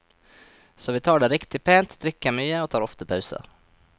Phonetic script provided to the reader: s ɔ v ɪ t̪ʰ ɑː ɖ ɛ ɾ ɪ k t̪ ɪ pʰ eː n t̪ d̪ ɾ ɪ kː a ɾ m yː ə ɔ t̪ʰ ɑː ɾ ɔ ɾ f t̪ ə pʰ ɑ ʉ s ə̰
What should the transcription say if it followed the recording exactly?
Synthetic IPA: s ɔ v ɪ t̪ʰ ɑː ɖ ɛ ɾ ɪ k t̪ ɪ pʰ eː n t̪ d̪ ɾ ɪ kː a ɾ m yː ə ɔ t̪ʰ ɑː ɾ ɔ f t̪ ə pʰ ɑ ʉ s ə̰